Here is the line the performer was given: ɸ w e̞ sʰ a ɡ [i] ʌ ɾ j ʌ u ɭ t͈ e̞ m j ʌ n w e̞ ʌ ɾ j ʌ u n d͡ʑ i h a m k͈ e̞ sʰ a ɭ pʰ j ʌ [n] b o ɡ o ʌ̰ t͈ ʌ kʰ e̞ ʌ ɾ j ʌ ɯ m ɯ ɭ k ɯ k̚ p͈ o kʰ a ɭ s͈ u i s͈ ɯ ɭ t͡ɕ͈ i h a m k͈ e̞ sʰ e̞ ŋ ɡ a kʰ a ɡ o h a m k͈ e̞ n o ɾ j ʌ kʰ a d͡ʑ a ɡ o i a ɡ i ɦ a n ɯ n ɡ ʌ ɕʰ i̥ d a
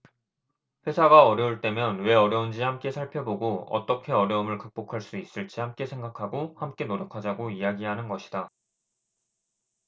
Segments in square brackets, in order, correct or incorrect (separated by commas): incorrect, incorrect